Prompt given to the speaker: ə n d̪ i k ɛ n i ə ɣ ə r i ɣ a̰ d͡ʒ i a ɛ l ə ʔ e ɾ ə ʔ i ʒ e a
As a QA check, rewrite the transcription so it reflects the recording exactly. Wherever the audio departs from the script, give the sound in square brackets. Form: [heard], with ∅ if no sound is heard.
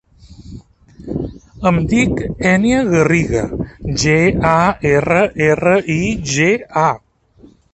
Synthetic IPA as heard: ə [m] d̪ i k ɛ n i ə ɣ ə r i ɣ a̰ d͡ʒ [e] a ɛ [r] ə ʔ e [r] ə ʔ i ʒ e a